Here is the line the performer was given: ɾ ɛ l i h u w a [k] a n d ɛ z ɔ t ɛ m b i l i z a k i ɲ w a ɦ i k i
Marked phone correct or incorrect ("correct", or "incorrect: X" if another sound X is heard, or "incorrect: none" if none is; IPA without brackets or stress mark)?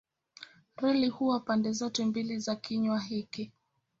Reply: incorrect: p